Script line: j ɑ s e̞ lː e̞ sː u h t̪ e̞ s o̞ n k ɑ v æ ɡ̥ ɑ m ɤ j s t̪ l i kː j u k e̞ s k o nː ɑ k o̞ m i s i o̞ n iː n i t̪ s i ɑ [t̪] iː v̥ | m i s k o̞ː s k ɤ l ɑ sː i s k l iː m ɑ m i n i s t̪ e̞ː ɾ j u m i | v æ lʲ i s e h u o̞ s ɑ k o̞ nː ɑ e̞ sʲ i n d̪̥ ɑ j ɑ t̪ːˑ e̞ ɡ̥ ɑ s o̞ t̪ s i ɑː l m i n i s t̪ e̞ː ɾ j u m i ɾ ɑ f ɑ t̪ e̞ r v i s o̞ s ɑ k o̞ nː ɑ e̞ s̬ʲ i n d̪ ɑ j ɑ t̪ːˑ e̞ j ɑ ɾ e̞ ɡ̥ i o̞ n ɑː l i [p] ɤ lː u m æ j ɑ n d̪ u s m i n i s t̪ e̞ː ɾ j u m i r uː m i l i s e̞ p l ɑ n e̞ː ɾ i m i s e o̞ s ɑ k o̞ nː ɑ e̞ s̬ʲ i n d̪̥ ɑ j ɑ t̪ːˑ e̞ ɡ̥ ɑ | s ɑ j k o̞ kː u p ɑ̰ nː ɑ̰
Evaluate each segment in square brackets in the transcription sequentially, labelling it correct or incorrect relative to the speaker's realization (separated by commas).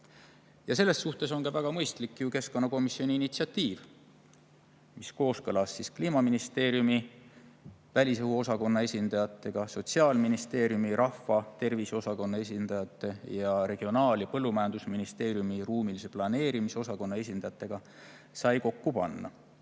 correct, correct